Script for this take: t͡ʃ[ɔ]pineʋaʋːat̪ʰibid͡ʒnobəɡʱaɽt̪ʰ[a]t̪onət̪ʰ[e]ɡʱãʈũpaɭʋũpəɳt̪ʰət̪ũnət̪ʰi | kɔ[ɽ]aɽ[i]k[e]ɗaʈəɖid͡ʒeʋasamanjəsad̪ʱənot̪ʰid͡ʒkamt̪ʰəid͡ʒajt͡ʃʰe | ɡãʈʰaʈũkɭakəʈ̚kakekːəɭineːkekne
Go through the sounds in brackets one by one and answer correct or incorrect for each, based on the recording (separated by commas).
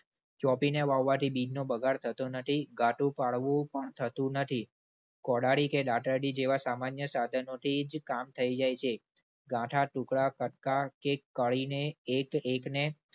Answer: correct, incorrect, incorrect, correct, correct, correct